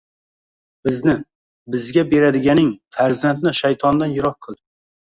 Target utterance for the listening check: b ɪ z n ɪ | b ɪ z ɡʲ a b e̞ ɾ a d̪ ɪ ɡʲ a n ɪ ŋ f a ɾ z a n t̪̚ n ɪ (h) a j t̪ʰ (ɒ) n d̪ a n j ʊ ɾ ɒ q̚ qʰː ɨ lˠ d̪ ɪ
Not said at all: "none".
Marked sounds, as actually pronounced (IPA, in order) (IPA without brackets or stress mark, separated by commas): ʃ, ɒ